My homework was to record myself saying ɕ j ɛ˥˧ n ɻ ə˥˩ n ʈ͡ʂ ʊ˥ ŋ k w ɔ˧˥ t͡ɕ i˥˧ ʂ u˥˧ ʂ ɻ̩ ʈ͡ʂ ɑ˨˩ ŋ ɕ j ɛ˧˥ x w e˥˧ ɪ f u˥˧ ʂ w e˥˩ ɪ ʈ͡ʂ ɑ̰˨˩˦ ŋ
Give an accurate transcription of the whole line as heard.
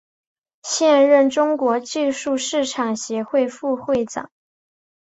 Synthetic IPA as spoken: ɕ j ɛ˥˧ n ɻ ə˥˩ n ʈ͡ʂ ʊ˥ ŋ k w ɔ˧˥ t͡ɕ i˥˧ ʂ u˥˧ ʂ ɻ̩ ʈ͡ʂʰ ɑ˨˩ ŋ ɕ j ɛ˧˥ x w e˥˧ ɪ f u˥˧ x w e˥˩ ɪ ʈ͡ʂ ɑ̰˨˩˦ ŋ